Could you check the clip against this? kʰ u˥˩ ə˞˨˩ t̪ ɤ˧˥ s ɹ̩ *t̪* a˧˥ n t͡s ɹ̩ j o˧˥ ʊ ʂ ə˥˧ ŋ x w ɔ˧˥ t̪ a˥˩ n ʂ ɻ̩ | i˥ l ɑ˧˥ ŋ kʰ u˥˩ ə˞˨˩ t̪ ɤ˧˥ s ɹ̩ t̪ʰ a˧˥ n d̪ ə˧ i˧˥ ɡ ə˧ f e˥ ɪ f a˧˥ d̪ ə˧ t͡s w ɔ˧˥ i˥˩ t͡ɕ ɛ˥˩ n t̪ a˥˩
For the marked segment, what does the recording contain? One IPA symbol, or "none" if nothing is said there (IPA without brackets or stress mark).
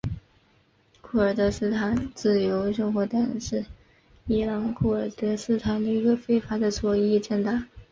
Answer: t̪ʰ